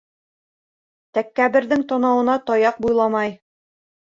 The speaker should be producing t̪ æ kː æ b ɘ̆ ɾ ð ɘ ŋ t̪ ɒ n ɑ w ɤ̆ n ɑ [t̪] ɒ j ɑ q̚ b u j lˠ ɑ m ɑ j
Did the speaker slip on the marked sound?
no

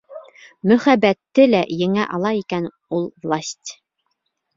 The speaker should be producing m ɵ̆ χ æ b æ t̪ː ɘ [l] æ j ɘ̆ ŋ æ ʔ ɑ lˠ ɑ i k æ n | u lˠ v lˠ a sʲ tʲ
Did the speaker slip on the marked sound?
no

